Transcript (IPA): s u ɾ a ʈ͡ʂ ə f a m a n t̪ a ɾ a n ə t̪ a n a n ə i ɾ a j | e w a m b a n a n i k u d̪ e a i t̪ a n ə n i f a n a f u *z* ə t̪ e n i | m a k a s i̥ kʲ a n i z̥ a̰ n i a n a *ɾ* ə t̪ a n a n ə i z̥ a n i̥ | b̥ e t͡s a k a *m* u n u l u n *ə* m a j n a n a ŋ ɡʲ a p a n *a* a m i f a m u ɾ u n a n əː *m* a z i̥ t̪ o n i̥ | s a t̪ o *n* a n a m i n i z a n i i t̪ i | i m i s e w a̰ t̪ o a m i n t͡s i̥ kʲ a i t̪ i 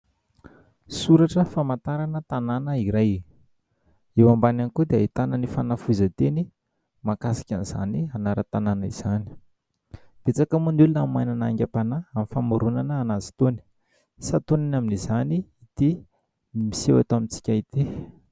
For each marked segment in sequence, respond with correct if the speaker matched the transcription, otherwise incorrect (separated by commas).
correct, correct, correct, incorrect, correct, incorrect, correct